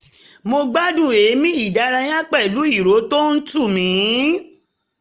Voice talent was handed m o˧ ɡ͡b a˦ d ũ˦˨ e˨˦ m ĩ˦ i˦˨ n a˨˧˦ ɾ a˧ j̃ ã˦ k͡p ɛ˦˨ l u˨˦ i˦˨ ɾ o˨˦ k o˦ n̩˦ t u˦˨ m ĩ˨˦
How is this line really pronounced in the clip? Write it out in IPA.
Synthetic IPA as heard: m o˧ ɡ͡b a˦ d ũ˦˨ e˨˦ m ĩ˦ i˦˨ d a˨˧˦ ɾ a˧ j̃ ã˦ k͡p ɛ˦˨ l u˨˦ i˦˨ ɾ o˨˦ t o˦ n̩˦ t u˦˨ m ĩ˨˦